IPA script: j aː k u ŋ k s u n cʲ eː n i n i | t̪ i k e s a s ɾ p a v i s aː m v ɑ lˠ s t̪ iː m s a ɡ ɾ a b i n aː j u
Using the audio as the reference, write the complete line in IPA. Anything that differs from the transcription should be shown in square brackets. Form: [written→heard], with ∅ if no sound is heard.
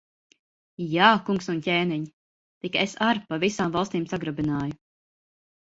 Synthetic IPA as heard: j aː k u ŋ k s u n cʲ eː n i [n→ɲ] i | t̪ i k e s a [s→∅] ɾ p a v i s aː m v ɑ lˠ s t̪ iː m s a ɡ ɾ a b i n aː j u